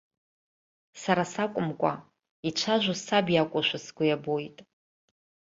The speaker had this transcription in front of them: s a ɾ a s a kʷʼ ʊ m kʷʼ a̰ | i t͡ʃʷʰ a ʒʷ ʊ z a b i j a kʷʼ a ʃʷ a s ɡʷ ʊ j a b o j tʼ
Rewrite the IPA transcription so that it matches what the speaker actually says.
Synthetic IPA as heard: s a ɾ a s a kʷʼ ʊ m kʷʼ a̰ | i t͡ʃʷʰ a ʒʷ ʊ s a b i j a kʷʼ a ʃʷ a s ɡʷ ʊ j a b o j tʼ

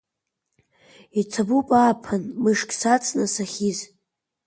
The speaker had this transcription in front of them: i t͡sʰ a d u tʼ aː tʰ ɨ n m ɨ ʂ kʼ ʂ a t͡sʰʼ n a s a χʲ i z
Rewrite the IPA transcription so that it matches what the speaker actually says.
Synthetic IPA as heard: i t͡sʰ a b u pʼ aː pʰ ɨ n m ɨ ʂ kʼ s a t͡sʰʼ n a s a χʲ i z

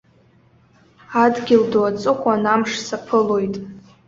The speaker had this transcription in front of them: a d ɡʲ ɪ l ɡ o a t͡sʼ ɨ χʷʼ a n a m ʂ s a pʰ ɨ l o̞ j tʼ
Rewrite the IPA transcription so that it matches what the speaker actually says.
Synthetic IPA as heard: a d ɡʲ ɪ l d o a t͡sʼ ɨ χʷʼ a n a m ʂ s a pʰ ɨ l o̞ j tʼ

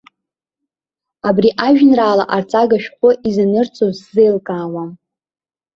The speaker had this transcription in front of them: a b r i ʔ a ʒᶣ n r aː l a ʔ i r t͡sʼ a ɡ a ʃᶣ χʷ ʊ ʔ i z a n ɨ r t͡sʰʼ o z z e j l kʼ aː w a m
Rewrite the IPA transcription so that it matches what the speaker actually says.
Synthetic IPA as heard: a b r i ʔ a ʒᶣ n r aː l a ʔ a r t͡sʼ a ɡ a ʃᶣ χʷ ʊ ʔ i z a n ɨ r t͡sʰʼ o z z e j l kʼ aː w a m

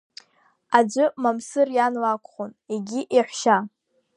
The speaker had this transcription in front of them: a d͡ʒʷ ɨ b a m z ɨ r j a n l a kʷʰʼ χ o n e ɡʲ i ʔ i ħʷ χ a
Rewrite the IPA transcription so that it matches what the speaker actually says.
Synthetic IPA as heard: a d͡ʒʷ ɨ m a m s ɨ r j a n l a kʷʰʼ χ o n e ɡʲ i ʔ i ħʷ ʃ a

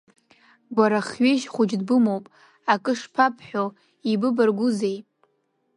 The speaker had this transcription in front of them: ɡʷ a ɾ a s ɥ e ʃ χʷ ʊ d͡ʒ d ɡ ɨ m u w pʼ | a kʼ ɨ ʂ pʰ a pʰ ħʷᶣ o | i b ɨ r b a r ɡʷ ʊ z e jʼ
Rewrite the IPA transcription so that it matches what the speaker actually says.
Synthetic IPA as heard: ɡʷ a ɾ a χ ɥ e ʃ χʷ ʊ d͡ʒ d b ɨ m o w pʼ | a kʼ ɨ ʂ pʰ a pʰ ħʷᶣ o | i b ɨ b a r ɡʷ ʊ z e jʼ

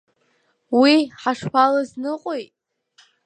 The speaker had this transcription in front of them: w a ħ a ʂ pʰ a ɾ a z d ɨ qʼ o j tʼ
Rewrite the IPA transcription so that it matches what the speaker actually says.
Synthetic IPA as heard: w i ħ a ʂ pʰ a l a z n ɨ qʼ o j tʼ

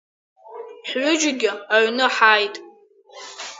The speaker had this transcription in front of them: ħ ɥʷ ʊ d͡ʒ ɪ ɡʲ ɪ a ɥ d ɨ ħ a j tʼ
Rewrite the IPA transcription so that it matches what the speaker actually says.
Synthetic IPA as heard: ħ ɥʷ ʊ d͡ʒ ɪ ɡʲ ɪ a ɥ n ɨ ħ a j tʼ

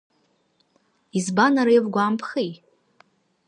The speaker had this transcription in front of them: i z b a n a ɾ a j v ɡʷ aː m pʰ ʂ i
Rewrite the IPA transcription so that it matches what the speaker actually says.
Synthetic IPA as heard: i z b a n a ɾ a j v ɡʷ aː m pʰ χ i

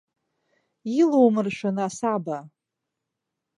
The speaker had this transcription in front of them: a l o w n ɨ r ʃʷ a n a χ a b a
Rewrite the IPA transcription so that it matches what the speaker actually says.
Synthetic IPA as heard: i l o w m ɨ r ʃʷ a n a s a b a

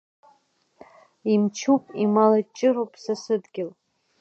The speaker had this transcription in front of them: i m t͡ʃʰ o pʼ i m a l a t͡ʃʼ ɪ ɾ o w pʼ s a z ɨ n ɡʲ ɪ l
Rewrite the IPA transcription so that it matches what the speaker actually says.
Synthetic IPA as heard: i m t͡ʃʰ u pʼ i m a l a t͡ʃʼ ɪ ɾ o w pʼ s a s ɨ d ɡʲ ɪ l

